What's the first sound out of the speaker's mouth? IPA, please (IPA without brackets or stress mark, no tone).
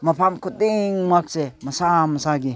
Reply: m